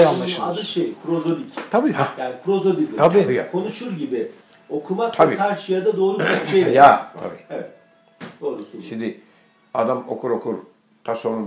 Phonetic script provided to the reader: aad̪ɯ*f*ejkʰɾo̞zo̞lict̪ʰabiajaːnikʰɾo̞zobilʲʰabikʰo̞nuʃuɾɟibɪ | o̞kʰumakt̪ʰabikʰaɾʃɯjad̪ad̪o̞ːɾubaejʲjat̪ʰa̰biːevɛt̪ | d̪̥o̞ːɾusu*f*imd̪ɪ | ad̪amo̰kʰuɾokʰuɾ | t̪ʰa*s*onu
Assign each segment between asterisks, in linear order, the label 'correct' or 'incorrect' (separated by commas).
incorrect, incorrect, correct